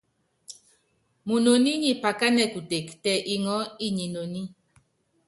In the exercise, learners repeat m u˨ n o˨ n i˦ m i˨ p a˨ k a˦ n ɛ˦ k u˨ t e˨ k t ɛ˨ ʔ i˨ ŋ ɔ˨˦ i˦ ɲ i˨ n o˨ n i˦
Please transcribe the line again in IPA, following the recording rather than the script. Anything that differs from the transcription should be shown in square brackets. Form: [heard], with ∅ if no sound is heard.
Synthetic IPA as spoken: m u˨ n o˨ n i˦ [ɲ] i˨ p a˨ k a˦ n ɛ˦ k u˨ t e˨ k t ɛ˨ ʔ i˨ ŋ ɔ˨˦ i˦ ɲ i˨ n o˨ n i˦